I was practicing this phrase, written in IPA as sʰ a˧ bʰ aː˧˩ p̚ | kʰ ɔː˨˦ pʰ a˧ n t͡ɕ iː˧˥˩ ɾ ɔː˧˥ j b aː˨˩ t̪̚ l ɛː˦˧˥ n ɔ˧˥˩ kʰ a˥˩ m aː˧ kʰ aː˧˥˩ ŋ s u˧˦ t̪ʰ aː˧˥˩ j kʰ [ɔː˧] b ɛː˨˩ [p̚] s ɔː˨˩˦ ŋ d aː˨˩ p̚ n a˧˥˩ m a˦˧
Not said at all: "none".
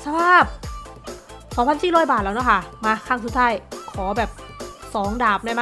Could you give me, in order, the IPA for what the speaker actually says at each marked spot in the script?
ɔː˩˦, p̚

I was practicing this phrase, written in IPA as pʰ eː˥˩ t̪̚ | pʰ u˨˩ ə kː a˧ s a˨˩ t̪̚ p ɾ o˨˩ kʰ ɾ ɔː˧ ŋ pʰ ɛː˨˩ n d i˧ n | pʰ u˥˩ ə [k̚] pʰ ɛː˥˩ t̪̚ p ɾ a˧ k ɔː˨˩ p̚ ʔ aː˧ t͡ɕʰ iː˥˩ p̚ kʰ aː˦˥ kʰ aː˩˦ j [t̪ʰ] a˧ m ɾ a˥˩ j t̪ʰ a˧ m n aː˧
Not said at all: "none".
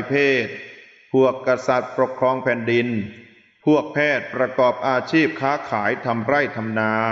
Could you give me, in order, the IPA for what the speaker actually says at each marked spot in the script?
k̚, t̪ʰ

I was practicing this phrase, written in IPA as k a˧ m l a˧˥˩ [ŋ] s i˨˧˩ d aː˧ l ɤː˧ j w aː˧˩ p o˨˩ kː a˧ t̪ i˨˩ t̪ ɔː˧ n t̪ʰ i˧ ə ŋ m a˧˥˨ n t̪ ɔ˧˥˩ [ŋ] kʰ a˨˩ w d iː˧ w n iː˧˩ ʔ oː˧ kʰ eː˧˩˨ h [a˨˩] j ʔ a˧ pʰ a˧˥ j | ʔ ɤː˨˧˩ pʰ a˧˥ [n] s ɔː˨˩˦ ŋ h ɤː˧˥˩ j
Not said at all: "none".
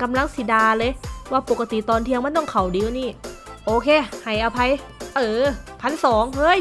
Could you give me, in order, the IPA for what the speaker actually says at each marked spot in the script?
ŋ, ŋ, a˨˩, n

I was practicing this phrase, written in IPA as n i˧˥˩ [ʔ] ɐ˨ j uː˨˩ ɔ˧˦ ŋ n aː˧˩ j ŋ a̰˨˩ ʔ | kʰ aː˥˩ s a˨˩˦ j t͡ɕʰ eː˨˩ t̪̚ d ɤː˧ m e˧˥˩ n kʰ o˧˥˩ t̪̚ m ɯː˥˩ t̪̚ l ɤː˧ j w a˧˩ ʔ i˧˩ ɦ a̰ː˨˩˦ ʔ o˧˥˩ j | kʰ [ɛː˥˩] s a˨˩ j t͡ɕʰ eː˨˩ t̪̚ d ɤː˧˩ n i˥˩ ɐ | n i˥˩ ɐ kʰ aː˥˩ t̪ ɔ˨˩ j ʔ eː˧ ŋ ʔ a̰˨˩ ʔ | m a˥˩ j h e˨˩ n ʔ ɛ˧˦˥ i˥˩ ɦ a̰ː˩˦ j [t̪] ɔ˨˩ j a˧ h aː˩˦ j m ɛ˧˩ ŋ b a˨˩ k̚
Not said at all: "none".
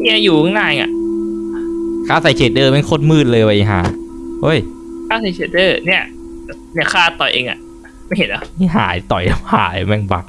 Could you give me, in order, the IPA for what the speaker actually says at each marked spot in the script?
none, aː˥˩, t̪

